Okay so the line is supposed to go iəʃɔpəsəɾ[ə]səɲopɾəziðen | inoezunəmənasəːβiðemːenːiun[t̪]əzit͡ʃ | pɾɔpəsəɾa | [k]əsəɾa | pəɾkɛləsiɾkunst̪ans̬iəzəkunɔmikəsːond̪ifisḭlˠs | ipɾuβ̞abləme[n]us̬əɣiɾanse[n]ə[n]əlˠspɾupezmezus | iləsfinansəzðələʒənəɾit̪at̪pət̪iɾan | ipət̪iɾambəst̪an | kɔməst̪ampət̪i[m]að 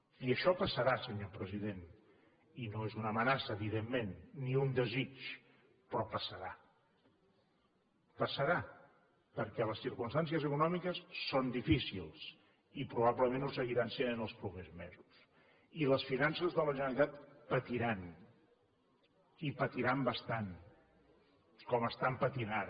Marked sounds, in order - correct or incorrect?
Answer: incorrect: a, incorrect: d̪, incorrect: p, correct, correct, correct, incorrect: n

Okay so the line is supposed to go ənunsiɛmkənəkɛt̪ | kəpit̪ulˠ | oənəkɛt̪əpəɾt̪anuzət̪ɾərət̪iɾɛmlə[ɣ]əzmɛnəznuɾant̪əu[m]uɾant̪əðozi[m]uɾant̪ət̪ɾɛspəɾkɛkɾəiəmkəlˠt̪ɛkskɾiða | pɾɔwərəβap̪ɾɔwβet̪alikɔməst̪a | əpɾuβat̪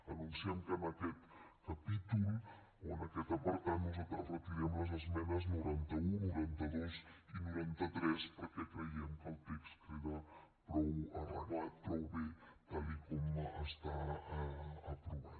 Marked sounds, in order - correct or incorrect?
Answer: incorrect: z, incorrect: n, incorrect: n

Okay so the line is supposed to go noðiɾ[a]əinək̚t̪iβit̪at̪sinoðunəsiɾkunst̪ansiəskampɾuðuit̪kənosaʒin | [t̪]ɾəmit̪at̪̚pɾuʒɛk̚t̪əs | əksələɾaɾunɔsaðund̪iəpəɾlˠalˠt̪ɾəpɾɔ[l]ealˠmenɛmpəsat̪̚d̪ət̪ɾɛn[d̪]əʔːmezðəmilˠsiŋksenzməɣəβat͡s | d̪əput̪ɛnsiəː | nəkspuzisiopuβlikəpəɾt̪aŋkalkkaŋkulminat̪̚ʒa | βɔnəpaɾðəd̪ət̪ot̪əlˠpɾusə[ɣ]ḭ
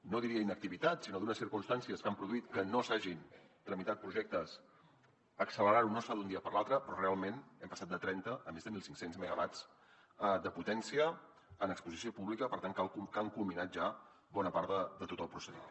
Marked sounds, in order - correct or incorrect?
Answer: incorrect: i, correct, incorrect: r, incorrect: t̪, incorrect: ð

